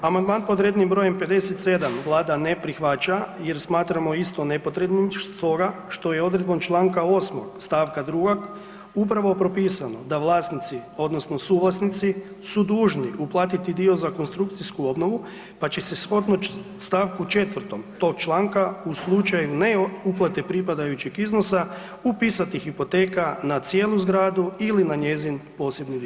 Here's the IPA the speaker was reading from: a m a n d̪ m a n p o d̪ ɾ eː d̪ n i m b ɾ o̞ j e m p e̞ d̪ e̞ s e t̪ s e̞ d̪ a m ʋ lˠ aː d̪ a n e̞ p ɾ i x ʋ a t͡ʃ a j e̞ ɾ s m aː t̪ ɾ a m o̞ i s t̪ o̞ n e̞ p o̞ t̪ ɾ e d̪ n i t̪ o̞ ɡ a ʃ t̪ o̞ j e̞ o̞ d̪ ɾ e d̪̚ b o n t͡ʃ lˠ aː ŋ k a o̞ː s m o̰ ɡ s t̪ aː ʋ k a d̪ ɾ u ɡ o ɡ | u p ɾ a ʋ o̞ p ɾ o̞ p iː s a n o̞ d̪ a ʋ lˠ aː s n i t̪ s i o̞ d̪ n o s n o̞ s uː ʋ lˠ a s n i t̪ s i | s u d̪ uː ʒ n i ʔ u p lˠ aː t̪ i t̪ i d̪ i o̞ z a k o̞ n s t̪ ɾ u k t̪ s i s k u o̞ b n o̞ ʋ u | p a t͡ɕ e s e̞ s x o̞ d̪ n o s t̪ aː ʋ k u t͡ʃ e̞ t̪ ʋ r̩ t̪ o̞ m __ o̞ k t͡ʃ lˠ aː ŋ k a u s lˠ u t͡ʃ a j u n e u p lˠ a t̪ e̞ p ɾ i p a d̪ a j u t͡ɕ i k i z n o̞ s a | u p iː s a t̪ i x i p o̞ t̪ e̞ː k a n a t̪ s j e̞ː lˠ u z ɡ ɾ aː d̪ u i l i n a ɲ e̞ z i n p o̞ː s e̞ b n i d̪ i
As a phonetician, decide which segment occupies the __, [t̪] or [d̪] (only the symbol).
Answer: t̪